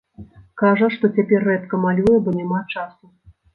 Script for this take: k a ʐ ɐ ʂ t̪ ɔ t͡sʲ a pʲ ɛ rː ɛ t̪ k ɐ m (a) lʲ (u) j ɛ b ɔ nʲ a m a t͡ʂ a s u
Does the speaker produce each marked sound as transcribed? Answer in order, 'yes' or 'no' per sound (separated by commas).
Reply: yes, yes